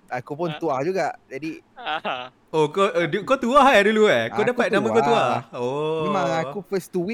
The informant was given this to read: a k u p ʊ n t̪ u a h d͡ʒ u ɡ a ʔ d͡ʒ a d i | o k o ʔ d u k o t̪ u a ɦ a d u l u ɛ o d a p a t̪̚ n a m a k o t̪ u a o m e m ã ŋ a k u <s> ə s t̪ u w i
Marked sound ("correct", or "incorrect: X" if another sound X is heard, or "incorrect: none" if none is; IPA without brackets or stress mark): incorrect: f